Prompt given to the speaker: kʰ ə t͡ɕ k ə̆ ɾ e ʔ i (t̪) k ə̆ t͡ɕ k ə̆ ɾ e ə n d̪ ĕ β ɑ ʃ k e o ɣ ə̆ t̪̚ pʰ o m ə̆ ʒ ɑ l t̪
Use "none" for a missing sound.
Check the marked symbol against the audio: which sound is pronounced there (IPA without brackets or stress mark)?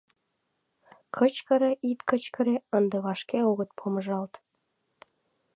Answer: t̪